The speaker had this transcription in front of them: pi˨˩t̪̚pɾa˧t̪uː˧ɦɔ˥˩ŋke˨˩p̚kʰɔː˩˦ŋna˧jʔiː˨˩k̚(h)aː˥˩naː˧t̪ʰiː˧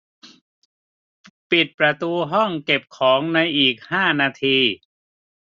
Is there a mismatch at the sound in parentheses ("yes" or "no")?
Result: no